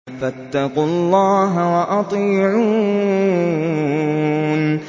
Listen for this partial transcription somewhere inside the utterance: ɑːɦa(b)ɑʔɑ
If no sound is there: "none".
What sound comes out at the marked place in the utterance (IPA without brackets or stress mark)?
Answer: w